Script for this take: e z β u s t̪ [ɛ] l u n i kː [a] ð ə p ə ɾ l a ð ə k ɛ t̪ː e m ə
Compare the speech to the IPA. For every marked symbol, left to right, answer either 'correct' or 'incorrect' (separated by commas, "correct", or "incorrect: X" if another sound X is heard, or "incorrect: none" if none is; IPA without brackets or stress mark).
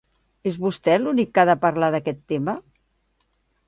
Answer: correct, correct